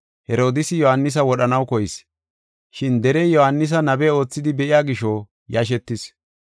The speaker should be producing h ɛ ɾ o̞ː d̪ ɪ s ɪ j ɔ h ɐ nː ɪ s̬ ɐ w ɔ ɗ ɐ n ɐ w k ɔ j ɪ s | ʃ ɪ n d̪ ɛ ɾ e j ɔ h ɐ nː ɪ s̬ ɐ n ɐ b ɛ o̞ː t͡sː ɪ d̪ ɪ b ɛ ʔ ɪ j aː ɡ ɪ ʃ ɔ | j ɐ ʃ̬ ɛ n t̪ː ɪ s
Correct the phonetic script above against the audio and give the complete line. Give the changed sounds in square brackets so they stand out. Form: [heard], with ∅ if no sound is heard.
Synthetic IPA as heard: h ɛ ɾ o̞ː d̪ ɪ s ɪ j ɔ h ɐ nː ɪ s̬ ɐ w ɔ ɗ ɐ n ɐ w k ɔ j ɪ s | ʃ ɪ n d̪ ɛ ɾ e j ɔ h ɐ nː ɪ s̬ ɐ n ɐ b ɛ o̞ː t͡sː ɪ d̪ ɪ b ɛ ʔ ɪ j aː ɡ ɪ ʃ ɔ | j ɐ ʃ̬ ɛ [∅] t̪ː ɪ s

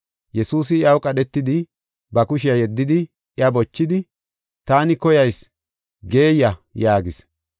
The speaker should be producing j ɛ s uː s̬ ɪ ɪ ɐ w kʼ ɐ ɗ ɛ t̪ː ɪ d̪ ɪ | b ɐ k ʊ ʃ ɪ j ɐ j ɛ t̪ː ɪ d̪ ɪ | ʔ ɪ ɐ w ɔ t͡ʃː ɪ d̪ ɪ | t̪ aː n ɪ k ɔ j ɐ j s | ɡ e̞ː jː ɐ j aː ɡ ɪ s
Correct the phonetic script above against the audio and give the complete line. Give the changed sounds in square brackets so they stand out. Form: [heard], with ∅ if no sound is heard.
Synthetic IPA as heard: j ɛ s uː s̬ ɪ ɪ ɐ w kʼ ɐ ɗ ɛ t̪ː ɪ d̪ ɪ | b ɐ k ʊ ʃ ɪ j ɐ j ɛ [d̪ː] ɪ d̪ ɪ | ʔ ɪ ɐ [b] ɔ t͡ʃː ɪ d̪ ɪ | t̪ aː n ɪ k ɔ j ɐ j s | ɡ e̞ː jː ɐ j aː ɡ ɪ s

